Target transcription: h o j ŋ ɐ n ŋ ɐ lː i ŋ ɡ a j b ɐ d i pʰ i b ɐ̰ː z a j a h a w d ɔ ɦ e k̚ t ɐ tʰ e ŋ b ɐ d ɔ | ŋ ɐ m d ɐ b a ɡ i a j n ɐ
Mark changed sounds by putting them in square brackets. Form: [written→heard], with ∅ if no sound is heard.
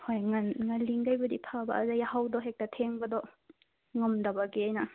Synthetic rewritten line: h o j ŋ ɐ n ŋ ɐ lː i ŋ ɡ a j b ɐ d i pʰ [i→a] b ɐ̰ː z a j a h a w d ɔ ɦ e k̚ t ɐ tʰ e ŋ b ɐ d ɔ | ŋ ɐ m d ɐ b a ɡ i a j n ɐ